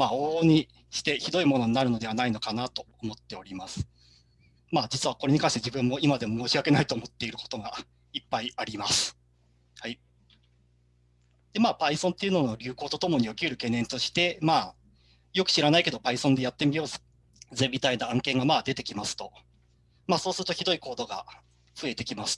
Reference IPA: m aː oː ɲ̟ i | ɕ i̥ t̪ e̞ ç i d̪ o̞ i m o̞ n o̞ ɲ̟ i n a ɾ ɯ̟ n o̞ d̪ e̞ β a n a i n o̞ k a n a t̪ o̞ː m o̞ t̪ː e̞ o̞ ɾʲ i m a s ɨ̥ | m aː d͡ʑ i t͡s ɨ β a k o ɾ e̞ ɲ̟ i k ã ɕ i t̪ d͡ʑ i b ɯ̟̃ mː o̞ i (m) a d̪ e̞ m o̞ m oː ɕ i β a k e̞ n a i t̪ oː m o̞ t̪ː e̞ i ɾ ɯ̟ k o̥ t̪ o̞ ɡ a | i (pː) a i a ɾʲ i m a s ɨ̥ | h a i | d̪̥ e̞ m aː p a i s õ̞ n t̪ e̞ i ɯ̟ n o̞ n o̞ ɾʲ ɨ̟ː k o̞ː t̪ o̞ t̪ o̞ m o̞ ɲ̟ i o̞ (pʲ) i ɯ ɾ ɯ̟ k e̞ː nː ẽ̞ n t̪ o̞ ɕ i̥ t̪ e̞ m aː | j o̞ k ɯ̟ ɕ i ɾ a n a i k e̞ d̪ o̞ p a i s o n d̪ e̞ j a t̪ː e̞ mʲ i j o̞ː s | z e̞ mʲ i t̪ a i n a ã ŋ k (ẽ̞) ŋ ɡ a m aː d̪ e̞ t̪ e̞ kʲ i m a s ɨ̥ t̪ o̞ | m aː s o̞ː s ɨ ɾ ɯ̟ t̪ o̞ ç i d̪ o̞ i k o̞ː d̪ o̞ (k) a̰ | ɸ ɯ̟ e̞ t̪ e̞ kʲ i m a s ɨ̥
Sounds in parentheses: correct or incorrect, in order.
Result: correct, correct, incorrect: kʲ, correct, incorrect: ɡ

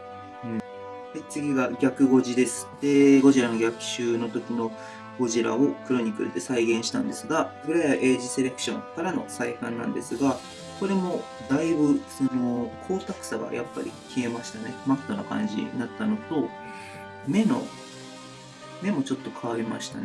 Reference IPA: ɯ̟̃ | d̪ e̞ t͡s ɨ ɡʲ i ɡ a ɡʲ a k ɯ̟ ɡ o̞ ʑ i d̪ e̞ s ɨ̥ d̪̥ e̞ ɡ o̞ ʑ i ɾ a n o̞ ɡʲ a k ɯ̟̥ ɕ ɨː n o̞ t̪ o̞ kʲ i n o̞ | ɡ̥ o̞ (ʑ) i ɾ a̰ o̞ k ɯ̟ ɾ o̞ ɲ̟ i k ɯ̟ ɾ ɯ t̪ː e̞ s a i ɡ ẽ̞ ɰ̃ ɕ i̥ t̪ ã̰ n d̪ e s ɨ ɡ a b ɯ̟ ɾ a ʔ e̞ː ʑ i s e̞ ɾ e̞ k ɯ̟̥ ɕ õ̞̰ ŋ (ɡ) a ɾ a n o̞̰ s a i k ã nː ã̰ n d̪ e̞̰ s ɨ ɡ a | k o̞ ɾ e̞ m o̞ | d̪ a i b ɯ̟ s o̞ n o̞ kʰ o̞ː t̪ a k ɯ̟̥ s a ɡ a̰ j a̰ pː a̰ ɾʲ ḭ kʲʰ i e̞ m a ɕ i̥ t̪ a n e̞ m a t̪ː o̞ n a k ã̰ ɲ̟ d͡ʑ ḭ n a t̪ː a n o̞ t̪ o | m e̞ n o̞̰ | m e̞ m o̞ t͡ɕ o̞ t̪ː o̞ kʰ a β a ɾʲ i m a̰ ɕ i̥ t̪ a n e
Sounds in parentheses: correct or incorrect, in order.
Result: correct, incorrect: k

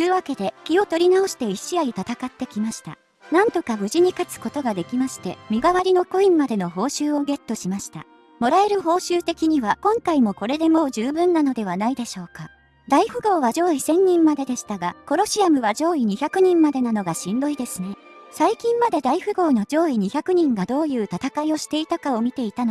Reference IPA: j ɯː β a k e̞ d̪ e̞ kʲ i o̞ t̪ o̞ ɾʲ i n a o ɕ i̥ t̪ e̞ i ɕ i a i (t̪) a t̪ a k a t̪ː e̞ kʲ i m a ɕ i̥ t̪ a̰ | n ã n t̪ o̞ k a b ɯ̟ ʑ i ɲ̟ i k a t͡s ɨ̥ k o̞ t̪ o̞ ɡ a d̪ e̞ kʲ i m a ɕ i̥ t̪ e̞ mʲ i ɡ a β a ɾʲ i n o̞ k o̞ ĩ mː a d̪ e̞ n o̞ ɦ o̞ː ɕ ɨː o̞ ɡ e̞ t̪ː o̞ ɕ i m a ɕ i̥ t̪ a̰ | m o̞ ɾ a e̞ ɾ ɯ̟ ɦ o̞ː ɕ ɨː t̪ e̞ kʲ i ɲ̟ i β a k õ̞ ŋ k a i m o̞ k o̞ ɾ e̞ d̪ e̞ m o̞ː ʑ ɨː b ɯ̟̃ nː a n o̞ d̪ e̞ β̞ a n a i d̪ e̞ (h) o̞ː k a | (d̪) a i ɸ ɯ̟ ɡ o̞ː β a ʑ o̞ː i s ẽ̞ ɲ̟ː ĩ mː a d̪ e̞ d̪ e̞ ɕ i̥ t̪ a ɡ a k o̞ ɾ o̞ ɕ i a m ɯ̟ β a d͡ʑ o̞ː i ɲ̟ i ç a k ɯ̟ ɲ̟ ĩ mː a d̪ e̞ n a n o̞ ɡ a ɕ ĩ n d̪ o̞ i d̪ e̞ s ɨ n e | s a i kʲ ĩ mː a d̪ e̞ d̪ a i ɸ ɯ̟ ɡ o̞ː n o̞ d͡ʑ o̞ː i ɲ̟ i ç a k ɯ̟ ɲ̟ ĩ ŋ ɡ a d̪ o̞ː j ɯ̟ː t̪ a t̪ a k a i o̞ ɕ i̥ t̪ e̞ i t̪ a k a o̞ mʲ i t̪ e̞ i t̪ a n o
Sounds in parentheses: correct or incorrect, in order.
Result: correct, incorrect: ɕ, correct

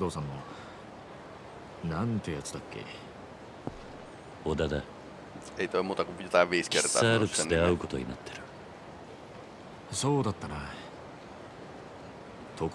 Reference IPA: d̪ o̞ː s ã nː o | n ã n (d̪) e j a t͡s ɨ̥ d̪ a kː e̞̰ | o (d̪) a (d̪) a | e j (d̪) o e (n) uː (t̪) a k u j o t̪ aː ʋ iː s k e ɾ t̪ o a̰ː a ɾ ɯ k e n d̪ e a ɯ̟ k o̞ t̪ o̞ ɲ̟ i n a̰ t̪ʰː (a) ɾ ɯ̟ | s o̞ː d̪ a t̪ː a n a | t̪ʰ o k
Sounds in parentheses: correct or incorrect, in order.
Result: incorrect: t̪, correct, correct, incorrect: t̪, incorrect: m, correct, incorrect: e

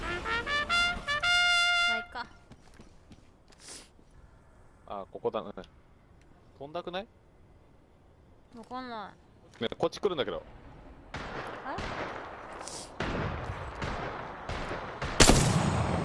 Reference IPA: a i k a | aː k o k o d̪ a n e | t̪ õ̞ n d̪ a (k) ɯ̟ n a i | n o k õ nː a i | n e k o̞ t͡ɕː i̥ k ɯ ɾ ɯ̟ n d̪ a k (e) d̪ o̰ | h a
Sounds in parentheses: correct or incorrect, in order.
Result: correct, correct

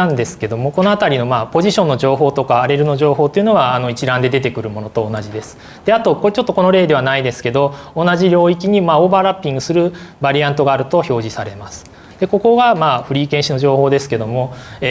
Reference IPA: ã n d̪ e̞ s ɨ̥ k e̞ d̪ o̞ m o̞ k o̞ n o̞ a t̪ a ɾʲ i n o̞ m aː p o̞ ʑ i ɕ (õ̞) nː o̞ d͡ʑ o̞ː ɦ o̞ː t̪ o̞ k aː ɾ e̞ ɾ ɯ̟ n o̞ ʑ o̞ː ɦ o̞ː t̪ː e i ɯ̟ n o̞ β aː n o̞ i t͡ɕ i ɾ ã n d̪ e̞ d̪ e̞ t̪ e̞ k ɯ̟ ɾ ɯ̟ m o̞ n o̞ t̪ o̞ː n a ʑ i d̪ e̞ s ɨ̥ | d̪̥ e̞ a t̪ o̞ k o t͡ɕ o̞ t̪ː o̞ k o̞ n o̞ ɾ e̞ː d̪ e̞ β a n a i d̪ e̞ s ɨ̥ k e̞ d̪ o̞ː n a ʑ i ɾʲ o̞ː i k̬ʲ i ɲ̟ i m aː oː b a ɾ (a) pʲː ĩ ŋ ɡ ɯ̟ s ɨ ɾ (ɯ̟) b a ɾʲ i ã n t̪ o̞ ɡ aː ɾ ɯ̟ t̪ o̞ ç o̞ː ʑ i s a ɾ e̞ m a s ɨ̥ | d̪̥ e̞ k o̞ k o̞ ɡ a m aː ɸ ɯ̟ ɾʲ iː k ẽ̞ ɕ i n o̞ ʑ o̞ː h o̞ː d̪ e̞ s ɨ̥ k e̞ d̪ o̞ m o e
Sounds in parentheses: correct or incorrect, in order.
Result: correct, correct, correct

